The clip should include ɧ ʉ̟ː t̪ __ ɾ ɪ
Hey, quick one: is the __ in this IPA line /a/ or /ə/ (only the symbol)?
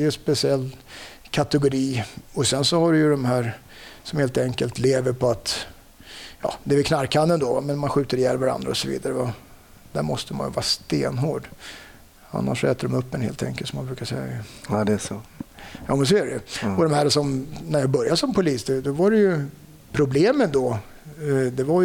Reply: ə